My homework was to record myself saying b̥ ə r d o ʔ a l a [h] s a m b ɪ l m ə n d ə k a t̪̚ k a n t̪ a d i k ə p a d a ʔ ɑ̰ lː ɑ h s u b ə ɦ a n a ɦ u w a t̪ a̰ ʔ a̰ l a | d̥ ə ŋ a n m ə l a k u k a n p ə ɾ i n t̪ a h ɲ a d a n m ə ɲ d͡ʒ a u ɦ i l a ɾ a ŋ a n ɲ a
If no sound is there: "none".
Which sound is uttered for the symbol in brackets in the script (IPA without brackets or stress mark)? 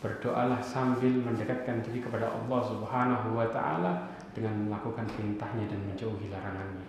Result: h